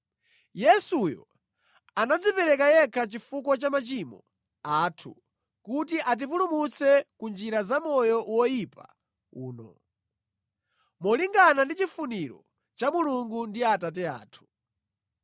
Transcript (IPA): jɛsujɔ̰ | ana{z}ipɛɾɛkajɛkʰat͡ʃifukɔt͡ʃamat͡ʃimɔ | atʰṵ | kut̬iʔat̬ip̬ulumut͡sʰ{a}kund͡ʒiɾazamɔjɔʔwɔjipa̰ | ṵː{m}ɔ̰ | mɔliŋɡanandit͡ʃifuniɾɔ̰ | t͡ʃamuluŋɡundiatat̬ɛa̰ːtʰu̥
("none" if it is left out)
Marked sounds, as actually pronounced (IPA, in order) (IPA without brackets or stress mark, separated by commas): d͡z, ɛ, n